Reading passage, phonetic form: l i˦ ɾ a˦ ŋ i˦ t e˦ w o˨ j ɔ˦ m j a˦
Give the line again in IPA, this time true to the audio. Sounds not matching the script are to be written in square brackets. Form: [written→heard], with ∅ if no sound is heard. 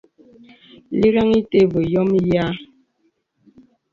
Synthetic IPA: l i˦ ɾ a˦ ŋ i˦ t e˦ [w→b] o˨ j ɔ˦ m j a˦